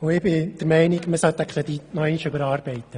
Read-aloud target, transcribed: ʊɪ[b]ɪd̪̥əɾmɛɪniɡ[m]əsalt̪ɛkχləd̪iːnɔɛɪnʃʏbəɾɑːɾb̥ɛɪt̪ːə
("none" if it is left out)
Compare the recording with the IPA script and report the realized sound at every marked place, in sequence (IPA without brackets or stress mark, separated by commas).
b, m